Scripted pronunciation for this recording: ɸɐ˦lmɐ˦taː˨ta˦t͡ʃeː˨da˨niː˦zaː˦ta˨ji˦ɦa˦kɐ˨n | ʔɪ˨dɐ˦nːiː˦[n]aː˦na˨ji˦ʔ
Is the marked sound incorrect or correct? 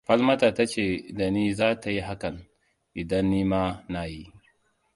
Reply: incorrect